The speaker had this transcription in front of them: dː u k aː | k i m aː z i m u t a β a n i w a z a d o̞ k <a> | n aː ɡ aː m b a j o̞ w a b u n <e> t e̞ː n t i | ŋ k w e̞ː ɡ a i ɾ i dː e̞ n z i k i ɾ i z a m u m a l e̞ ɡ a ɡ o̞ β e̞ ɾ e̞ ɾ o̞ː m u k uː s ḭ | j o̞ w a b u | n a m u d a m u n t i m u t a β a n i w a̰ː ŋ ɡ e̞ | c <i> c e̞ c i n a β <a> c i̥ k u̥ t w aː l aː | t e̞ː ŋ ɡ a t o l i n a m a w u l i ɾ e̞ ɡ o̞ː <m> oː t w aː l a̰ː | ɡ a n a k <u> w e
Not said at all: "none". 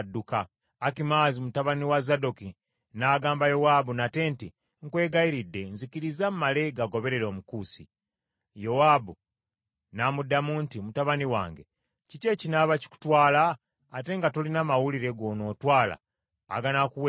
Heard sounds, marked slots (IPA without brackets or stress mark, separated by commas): i, a, i, a, n, u